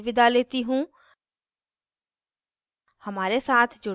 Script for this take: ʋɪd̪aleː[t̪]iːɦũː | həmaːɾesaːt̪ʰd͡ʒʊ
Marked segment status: correct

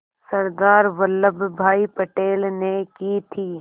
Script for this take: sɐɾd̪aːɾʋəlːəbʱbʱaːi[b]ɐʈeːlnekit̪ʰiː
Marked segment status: incorrect: p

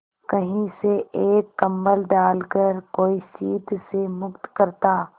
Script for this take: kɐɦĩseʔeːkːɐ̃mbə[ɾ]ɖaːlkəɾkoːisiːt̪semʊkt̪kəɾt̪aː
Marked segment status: incorrect: l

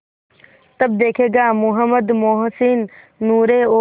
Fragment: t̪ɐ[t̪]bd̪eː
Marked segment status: incorrect: none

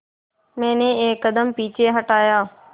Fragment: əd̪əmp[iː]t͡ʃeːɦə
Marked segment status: correct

